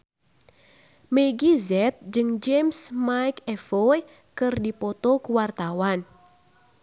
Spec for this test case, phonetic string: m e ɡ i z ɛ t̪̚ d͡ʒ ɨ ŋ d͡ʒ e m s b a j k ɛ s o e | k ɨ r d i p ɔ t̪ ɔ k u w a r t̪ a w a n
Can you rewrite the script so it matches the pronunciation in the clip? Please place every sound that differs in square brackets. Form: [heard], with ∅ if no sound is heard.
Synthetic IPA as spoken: m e ɡ i z ɛ t̪̚ d͡ʒ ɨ ŋ d͡ʒ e m s [m] a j k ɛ [f] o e | k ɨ r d i p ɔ t̪ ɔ k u w a r t̪ a w a n